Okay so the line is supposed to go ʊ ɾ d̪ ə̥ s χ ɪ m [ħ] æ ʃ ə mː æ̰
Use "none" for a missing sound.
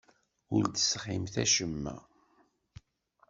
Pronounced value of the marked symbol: θ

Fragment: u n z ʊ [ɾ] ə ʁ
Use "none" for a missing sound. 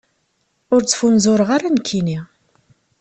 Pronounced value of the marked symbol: ɾ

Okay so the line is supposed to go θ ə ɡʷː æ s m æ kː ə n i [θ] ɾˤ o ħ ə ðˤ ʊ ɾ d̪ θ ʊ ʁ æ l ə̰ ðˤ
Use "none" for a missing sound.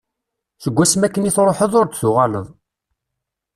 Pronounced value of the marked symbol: θ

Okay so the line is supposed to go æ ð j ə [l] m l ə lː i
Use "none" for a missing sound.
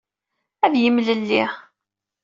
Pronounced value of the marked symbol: none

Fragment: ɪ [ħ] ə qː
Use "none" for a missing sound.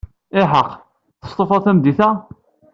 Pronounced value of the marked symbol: ħ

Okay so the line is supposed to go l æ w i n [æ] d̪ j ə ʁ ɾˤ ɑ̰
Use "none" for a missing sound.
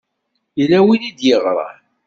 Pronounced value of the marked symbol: i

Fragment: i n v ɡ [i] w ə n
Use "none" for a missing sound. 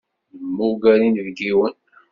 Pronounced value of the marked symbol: i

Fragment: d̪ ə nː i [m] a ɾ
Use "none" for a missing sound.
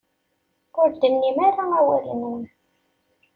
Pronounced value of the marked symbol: m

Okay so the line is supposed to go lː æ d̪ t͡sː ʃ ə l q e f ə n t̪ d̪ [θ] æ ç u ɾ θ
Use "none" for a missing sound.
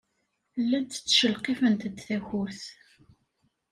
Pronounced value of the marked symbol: θ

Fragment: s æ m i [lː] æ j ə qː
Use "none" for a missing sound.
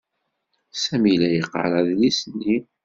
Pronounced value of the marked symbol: l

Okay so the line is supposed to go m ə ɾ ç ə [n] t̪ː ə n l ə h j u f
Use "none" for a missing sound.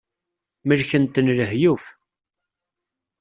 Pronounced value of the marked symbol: n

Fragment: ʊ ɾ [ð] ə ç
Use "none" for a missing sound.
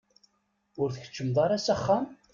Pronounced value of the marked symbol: θ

